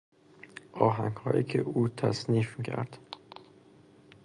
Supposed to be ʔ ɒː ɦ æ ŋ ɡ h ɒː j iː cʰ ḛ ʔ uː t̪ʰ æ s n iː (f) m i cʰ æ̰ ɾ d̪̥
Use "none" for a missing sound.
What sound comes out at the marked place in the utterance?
f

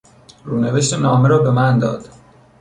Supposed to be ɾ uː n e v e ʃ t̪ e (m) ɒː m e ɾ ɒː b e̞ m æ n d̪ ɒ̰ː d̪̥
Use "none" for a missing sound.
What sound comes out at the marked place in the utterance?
n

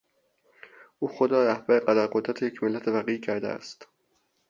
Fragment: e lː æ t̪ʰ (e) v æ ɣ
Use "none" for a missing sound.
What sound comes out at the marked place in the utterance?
e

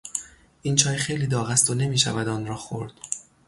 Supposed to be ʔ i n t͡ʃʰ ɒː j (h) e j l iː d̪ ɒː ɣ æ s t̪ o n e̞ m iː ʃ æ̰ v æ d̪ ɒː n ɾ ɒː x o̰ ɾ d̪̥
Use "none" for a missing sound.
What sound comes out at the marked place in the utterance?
x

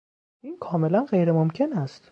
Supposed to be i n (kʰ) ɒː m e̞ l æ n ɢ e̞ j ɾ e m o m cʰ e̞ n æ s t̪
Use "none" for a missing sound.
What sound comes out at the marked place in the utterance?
kʰ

